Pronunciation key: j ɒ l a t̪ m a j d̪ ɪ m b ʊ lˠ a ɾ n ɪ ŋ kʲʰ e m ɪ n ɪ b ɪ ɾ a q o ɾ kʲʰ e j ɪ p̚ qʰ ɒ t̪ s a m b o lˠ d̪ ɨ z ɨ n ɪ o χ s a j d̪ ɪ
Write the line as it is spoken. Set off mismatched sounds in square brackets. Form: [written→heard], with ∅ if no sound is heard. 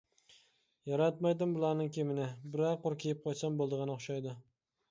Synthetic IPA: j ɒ [l→ɾ] a t̪ m a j d̪ ɪ m b ʊ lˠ a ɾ n ɪ ŋ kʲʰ e m ɪ n ɪ b ɪ ɾ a q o ɾ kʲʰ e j ɪ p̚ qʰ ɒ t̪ s a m b o lˠ d̪ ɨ [z→ʁ] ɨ n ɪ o χ [s→ʃ] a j d̪ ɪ